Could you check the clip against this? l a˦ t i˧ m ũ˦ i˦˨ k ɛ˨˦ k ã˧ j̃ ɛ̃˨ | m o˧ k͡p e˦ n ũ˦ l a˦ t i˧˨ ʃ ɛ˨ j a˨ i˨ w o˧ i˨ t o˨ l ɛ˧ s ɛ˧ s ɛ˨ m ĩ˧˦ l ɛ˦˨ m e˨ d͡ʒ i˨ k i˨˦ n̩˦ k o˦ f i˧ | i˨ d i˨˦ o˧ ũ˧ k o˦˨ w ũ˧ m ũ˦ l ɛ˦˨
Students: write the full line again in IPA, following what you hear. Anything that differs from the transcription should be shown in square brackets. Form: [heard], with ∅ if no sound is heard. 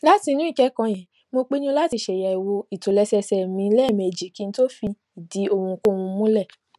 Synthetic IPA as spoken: l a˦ t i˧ [n] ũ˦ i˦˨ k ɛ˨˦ k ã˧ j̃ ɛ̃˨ | m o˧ k͡p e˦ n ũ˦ l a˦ t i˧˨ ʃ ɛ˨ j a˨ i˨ w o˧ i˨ t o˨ l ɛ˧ s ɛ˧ s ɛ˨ m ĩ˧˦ l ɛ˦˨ m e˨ d͡ʒ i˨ k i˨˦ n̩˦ [t] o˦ f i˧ | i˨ d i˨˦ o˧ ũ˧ k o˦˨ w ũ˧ m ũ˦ l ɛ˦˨